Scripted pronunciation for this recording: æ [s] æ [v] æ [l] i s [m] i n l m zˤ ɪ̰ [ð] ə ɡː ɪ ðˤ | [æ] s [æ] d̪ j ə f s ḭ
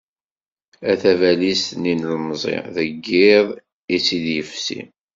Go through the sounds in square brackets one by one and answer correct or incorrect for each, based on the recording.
incorrect, correct, correct, incorrect, correct, incorrect, incorrect

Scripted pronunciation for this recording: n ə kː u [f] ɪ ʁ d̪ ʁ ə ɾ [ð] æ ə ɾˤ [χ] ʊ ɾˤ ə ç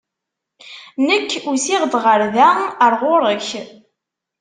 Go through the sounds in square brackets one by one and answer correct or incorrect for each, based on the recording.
incorrect, correct, incorrect

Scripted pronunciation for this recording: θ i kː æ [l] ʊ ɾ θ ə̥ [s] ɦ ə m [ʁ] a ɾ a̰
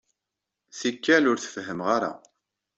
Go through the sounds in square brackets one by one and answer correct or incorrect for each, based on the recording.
correct, incorrect, correct

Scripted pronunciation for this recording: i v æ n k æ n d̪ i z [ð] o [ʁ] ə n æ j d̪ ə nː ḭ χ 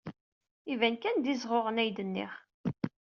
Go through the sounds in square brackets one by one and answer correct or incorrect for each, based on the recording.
incorrect, correct

